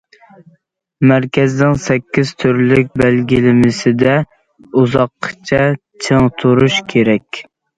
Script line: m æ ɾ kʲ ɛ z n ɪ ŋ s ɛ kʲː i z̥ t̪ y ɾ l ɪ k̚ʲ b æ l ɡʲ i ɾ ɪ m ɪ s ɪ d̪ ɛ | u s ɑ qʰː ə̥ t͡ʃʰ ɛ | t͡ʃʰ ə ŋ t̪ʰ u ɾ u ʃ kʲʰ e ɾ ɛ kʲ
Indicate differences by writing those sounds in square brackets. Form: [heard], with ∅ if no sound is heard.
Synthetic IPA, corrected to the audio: m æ ɾ kʲ ɛ z n ɪ ŋ s ɛ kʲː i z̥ [t̪ʰ] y ɾ l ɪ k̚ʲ b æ l ɡʲ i [l] ɪ m ɪ s ɪ d̪ ɛ | u [z] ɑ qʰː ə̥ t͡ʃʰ ɛ | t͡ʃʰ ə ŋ t̪ʰ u ɾ u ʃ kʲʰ e ɾ ɛ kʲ

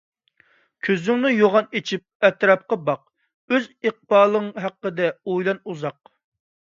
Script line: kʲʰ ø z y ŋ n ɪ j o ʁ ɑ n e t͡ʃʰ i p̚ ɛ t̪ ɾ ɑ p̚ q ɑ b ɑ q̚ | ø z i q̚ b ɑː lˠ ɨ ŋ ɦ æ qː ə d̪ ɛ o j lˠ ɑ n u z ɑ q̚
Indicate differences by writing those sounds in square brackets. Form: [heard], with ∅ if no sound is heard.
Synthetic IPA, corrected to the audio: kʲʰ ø z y ŋ n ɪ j o ʁ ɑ n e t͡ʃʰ i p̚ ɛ t̪ ɾ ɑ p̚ q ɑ b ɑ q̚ | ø z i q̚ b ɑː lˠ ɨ ŋ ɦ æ qː ə d̪ ɛ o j lˠ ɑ n u z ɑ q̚

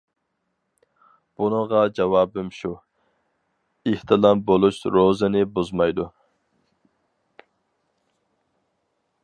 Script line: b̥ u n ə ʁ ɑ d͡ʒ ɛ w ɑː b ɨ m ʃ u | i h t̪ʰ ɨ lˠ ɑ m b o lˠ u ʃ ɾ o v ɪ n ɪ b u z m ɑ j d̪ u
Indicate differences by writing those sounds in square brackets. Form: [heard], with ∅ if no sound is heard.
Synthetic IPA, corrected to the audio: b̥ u n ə ʁ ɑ d͡ʒ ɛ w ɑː b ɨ m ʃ u | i h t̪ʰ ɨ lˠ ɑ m b o lˠ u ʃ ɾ o [z] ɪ n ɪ b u z m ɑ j d̪ u

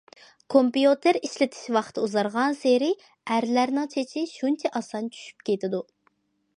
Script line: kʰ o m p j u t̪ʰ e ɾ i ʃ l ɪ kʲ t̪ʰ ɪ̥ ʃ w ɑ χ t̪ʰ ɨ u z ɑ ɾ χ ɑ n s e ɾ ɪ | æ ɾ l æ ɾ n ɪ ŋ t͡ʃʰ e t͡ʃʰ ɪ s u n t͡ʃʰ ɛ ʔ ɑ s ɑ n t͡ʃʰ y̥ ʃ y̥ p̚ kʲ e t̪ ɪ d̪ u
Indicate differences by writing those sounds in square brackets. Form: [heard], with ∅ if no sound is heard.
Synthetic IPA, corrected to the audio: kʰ o m p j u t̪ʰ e ɾ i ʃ l ɪ [∅] t̪ʰ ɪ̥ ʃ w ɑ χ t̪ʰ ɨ u z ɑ ɾ [ʁ] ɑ n s e ɾ ɪ | æ ɾ l æ ɾ n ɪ ŋ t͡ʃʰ e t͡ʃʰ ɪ [ʃ] u n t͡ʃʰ ɛ ʔ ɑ s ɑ n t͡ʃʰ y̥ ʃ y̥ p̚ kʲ e t̪ ɪ d̪ u

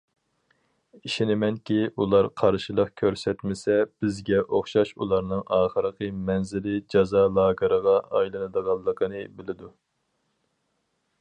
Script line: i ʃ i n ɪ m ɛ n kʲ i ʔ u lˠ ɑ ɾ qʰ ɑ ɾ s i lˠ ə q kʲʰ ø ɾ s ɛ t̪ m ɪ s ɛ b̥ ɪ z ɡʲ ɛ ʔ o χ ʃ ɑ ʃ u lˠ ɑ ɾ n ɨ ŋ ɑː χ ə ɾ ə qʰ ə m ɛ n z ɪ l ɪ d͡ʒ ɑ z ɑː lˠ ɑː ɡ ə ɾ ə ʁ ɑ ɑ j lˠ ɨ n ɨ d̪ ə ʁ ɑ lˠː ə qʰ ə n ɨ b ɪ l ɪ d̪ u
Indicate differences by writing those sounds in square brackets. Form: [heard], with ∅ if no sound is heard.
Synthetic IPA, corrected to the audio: i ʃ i n ɪ m ɛ n kʲ i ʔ u lˠ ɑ ɾ qʰ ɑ ɾ [ʃ] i lˠ ə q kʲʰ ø ɾ s ɛ t̪ m ɪ s ɛ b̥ ɪ z ɡʲ ɛ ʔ o χ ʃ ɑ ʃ u lˠ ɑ ɾ n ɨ ŋ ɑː χ ə ɾ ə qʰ ə m ɛ n z ɪ l ɪ d͡ʒ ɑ z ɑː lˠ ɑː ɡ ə ɾ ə ʁ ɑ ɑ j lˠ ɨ n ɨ d̪ ə ʁ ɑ lˠː ə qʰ ə n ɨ b ɪ l ɪ d̪ u

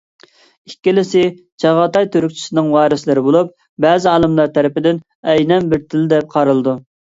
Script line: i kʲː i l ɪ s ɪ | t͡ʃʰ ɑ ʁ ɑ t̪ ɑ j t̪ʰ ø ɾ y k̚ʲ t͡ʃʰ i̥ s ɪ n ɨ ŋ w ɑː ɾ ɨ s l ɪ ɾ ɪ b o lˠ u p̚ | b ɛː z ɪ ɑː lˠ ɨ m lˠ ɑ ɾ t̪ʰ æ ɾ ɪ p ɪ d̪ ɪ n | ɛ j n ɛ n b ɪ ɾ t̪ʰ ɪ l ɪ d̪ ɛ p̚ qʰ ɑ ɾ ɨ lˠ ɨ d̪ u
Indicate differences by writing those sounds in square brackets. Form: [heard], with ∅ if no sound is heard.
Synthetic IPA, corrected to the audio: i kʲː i l ɪ s ɪ | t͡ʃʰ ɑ ʁ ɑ t̪ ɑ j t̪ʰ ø ɾ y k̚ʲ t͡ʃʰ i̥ s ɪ n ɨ ŋ w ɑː ɾ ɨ s l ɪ ɾ ɪ b o lˠ u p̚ | b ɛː z ɪ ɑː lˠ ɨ m lˠ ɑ ɾ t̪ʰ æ ɾ ɪ p ɪ d̪ ɪ n | ɛ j n ɛ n b ɪ ɾ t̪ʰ ɪ l ɪ d̪ ɛ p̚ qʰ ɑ ɾ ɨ lˠ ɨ d̪ u

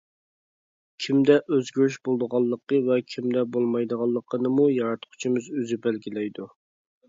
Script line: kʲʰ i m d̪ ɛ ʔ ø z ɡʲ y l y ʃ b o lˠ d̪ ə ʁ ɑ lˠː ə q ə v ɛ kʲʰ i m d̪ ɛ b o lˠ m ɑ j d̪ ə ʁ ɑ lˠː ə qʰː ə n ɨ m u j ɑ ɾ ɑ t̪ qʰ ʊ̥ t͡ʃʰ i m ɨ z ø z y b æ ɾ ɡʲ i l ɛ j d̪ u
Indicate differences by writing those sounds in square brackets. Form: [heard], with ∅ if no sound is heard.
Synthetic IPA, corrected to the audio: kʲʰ i m d̪ ɛ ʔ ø z ɡʲ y [ɾ] y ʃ b o lˠ d̪ ə ʁ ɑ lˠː ə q ə v ɛ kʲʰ i m d̪ ɛ b o lˠ m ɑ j d̪ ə ʁ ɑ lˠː ə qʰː ə n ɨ m u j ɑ ɾ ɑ t̪ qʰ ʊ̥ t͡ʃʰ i m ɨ z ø z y b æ [l] ɡʲ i l ɛ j d̪ u

